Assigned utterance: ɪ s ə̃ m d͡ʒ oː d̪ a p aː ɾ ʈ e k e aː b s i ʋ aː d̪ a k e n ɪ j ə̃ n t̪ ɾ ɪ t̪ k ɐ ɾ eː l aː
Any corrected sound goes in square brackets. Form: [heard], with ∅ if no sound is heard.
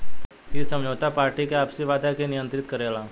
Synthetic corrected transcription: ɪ s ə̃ m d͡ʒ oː [t̪] a p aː ɾ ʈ [i] k e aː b s i ʋ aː d̪ a k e n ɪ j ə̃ n t̪ ɾ ɪ t̪ k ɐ ɾ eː l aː